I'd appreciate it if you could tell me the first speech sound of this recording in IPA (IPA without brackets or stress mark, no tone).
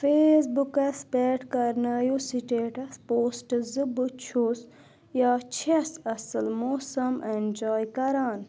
f